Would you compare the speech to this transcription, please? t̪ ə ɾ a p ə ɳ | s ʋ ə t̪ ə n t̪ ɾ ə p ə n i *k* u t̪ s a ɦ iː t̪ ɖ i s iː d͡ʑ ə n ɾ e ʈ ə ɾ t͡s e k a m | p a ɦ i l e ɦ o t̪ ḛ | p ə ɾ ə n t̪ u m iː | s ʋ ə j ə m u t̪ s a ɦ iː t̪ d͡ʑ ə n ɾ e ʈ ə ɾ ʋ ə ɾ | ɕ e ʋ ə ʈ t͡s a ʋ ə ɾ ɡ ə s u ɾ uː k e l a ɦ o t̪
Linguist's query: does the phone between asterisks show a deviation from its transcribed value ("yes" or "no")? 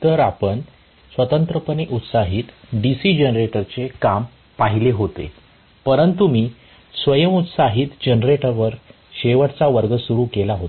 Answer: yes